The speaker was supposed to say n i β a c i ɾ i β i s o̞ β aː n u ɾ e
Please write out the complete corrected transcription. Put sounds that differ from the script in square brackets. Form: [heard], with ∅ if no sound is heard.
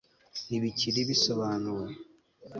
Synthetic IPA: n i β [i] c i ɾ i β i s o̞ β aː n u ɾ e